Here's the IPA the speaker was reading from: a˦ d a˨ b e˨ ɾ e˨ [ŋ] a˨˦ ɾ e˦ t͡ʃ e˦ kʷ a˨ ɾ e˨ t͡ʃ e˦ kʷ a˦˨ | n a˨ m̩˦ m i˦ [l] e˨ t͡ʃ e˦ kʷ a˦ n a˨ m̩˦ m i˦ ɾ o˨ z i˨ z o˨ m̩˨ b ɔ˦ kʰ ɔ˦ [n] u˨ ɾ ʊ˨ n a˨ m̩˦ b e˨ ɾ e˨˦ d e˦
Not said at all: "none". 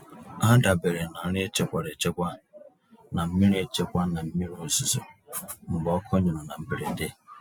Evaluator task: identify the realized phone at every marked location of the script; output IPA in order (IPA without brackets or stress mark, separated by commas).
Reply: n, ɾ, ɲ